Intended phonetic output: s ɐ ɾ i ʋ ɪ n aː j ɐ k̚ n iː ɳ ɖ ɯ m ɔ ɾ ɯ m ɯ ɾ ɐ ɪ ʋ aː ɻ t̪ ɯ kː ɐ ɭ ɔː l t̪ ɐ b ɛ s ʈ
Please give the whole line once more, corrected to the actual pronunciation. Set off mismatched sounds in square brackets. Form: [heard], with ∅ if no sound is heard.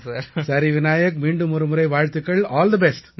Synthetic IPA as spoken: s ɐ ɾ i ʋ ɪ n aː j ɐ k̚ [m] iː ɳ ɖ ɯ m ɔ ɾ ɯ m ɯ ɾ ɐ ɪ ʋ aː ɻ t̪ ɯ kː ɐ ɭ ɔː l [d̪] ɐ b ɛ s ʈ